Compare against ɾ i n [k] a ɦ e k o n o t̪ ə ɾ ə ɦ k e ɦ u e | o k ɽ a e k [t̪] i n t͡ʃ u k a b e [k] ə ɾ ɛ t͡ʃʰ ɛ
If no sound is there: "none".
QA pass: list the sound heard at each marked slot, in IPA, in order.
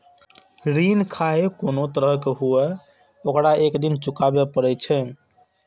kʰ, d̪, p

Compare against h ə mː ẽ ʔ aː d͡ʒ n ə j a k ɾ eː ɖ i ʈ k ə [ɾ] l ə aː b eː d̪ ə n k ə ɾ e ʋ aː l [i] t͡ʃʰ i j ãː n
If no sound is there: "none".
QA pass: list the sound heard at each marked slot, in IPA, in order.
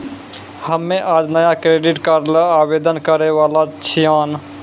ɾ, a

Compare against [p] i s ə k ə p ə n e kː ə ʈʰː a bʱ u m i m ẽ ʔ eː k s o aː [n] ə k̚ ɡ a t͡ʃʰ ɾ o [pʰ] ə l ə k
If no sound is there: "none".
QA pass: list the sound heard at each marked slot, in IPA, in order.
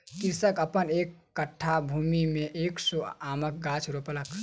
k, m, p

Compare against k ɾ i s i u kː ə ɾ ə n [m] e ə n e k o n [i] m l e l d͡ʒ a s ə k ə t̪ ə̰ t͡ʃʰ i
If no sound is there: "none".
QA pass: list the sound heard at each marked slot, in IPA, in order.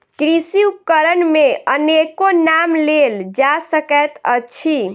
m, a

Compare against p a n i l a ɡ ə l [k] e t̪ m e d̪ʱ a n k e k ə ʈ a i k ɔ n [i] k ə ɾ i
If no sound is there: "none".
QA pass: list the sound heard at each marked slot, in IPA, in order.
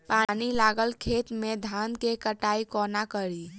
kʰ, a

